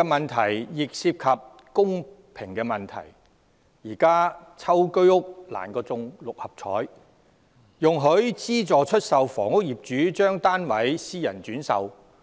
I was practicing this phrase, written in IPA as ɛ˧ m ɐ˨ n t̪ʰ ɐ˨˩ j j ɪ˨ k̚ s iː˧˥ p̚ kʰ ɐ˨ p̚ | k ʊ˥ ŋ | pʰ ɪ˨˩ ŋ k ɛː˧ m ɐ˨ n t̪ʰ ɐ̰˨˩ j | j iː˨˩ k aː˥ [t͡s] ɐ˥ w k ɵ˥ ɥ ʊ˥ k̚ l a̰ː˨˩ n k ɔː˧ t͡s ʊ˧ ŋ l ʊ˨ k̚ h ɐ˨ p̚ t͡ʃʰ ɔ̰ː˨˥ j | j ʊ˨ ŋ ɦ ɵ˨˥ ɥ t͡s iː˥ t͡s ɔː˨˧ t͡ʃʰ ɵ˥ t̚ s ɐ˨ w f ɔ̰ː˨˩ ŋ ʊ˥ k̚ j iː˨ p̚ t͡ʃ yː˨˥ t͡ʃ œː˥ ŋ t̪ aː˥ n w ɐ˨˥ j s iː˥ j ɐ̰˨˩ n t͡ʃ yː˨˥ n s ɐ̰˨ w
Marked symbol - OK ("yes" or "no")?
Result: no